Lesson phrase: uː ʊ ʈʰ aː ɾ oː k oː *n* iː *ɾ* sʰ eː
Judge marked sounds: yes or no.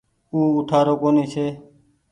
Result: yes, no

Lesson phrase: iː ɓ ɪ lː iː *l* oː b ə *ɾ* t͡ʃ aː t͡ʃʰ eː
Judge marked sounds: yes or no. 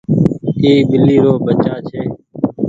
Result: no, no

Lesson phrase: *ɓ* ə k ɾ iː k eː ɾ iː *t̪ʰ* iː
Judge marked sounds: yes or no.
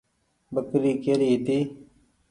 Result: no, no

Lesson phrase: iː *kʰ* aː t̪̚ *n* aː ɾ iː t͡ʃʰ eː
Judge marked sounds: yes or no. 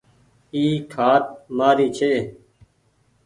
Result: yes, no

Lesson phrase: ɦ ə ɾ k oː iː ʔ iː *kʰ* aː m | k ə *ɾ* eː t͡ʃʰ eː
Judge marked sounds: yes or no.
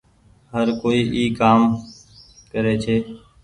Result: no, yes

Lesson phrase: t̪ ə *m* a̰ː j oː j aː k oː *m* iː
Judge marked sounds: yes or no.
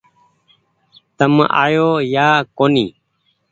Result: yes, no

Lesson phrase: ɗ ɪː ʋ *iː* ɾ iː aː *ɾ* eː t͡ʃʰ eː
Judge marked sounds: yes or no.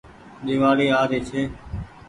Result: no, yes

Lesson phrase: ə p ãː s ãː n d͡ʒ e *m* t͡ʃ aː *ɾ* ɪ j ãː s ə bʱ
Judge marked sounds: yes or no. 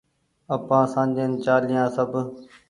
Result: no, no

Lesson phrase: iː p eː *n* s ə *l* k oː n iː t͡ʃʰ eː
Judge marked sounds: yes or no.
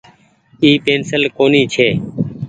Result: yes, yes

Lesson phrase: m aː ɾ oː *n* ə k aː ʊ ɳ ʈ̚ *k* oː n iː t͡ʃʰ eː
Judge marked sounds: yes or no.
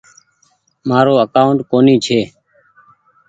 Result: no, yes

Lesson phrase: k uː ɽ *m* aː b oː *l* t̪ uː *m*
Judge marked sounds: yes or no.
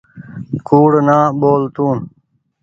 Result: no, yes, no

